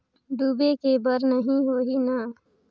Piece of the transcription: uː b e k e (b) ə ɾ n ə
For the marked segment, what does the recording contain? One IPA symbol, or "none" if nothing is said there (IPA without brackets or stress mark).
b